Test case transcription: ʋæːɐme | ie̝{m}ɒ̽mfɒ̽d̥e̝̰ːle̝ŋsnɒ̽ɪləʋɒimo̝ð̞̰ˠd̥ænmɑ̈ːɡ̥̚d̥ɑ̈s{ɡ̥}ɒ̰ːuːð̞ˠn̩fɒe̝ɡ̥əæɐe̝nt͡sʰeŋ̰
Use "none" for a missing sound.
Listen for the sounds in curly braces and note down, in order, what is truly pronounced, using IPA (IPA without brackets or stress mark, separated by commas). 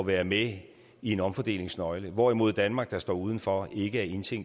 n, d̥